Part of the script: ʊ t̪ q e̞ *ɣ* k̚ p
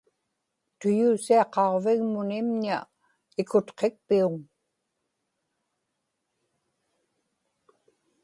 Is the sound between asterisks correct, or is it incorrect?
incorrect